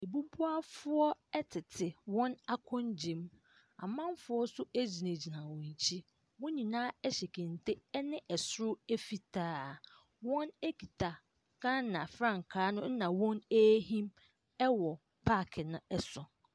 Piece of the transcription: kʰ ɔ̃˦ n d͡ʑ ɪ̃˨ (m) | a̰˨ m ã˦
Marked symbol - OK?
yes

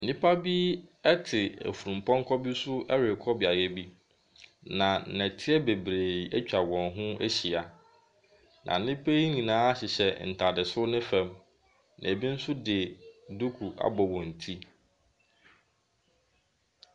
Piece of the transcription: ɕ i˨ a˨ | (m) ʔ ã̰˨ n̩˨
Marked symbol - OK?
no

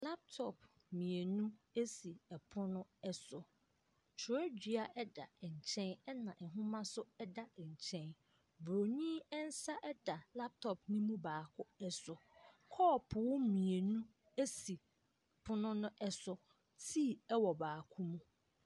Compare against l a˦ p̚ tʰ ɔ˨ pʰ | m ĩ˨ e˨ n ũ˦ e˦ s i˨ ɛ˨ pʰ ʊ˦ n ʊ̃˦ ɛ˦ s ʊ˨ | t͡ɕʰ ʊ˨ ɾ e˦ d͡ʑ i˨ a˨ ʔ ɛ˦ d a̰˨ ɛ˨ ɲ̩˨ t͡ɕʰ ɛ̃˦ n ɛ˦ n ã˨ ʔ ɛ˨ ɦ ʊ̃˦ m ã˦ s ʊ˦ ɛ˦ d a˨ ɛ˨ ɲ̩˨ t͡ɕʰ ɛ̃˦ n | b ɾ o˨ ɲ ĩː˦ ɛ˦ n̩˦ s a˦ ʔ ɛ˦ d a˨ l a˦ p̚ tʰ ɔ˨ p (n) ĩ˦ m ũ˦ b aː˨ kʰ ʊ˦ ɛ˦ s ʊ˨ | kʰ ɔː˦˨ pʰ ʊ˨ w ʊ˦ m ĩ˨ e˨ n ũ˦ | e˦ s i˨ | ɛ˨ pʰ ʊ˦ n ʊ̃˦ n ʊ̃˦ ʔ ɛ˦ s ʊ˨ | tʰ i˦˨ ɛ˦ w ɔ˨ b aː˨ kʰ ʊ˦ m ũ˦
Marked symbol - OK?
yes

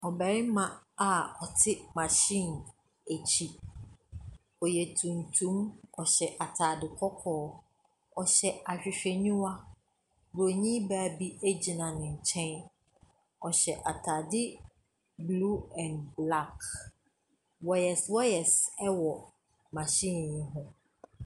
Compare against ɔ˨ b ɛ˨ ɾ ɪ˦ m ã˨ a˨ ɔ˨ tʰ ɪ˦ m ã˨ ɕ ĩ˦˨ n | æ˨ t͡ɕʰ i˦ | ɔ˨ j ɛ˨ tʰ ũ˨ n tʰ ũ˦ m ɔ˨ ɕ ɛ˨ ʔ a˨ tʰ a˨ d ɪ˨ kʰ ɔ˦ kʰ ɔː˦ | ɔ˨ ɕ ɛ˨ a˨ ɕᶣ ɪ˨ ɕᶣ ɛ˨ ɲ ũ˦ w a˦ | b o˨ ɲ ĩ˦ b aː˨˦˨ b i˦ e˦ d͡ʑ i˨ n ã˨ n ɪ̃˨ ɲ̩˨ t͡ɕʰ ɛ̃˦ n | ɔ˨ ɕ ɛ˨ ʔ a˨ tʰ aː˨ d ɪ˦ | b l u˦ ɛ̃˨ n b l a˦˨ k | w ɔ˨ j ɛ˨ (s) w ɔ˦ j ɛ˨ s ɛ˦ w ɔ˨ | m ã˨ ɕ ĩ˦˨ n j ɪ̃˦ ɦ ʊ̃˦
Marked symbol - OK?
yes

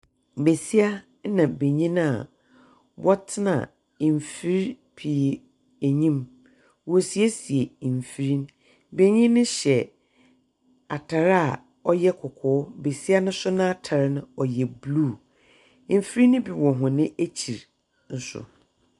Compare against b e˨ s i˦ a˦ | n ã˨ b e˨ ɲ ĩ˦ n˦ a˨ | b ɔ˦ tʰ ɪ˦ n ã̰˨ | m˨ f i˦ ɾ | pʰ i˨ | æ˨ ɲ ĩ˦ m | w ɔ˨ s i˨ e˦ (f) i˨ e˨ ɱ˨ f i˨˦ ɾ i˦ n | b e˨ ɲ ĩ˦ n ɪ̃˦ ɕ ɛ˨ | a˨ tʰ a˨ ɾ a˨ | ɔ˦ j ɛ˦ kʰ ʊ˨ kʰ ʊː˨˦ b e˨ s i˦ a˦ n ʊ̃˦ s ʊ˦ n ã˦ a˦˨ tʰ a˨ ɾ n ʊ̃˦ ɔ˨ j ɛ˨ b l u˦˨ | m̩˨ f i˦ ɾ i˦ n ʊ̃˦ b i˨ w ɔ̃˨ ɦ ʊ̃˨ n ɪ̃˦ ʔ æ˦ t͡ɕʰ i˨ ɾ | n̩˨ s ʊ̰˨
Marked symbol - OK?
no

